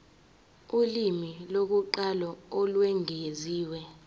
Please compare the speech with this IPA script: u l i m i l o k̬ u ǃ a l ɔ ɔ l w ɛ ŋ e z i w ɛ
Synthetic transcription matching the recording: u l i m i l o k̬ u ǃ a l ɔ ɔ l w ɛ ŋ e z iː w ɛ